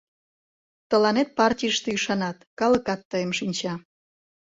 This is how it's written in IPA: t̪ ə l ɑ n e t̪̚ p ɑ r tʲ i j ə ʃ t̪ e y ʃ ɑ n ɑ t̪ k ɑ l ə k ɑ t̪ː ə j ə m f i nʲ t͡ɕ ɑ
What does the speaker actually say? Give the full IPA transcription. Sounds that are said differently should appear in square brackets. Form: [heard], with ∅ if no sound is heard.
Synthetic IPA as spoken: t̪ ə l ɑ n e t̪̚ p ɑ r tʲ i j ə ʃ t̪ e y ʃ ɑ n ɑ t̪ k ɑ l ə k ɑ t̪ː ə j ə m [ʃ] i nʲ t͡ɕ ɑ

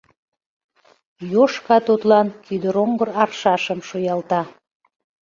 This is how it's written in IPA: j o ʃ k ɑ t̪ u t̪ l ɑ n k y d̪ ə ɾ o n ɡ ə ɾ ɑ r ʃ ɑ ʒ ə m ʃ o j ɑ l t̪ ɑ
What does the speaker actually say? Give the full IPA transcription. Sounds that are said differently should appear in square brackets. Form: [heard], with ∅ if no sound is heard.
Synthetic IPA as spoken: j o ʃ k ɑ t̪ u t̪ l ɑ n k y d̪ ə ɾ o [ŋ] ɡ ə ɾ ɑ r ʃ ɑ [ʃ] ə m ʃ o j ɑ l t̪ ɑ

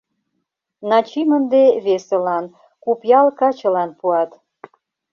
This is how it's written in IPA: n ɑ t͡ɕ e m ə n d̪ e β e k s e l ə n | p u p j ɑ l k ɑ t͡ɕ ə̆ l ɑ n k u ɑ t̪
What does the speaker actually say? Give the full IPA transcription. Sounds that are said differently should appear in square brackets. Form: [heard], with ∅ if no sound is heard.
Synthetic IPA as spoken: n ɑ t͡ɕ [i] m ə n d̪ e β e [∅] s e l [ɑ] n | [k] u p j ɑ l k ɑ t͡ɕ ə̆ l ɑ n [p] u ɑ t̪

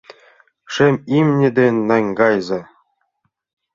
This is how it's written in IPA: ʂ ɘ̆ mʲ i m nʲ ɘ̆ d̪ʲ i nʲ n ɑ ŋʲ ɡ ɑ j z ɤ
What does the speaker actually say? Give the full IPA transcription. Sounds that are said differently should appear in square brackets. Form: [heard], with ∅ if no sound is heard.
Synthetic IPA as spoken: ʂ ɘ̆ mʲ i m nʲ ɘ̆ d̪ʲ [e] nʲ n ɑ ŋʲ ɡ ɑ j z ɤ

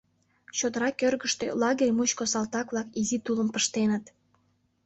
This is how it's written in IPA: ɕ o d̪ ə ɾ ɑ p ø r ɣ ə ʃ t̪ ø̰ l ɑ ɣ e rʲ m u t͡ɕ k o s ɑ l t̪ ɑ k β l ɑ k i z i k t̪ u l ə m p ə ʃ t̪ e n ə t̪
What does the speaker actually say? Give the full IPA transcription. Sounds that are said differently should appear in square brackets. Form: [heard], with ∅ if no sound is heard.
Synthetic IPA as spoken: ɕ o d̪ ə ɾ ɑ [k] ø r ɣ ə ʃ t̪ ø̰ l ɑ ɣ e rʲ m u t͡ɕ k o s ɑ l t̪ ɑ k β l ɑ k i z i [∅] t̪ u l ə m p ə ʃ t̪ e n ə t̪

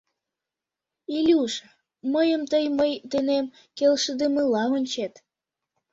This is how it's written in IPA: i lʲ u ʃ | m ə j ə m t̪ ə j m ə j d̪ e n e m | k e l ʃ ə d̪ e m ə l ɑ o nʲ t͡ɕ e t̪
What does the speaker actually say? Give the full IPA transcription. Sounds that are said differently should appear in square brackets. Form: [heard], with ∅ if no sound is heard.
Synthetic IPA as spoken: i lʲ u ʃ | m ə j ə m t̪ ə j m ə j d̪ e n e m | k e l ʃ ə d̪ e m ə l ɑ o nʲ t͡ɕ e t̪

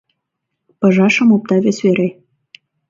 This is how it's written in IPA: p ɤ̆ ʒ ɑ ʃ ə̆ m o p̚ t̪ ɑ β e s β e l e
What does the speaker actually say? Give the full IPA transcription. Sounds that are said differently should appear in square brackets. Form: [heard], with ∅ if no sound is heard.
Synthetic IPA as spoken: p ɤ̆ ʒ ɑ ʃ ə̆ m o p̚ t̪ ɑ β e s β e [ɾ] e

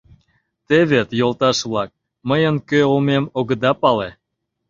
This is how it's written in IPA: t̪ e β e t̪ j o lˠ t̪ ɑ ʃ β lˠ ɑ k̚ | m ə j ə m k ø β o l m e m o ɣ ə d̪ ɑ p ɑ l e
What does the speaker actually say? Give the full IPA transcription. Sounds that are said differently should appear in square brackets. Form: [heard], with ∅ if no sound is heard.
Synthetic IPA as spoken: t̪ e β e t̪ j o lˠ t̪ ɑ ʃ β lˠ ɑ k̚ | m ə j ə [n] k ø [∅] o l m e m o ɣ ə d̪ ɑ p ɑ l e

